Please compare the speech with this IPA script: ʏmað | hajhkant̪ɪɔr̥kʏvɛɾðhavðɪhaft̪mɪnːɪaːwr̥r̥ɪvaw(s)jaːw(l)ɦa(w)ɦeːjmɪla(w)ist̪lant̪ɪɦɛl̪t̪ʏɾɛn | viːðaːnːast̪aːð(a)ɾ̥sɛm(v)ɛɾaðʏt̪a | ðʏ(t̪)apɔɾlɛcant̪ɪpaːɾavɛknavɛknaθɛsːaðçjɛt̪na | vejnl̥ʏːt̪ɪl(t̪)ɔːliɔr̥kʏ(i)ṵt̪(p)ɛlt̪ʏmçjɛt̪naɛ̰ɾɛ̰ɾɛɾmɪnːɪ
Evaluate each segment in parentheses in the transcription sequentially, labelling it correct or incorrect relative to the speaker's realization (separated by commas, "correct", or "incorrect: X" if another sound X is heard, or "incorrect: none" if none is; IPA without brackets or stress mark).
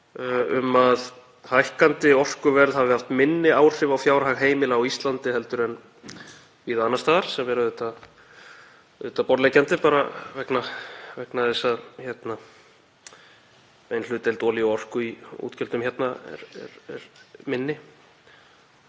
incorrect: f, incorrect: ɾ, incorrect: ɣ, correct, correct, correct, correct, correct, correct, incorrect: c